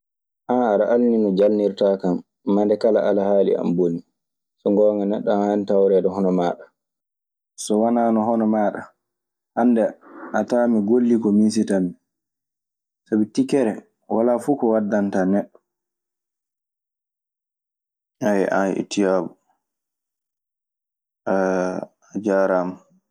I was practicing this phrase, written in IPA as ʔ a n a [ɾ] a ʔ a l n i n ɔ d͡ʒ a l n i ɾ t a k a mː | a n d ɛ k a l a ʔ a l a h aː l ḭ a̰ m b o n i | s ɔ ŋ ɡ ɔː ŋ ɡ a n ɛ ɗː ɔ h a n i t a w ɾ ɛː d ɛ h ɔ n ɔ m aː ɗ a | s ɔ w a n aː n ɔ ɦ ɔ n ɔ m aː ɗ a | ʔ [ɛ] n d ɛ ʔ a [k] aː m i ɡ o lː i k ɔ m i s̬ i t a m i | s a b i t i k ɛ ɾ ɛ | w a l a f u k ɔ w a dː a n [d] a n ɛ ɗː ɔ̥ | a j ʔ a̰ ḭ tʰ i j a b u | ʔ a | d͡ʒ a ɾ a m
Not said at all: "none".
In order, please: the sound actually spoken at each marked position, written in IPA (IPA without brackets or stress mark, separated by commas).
ɾ, a, t, t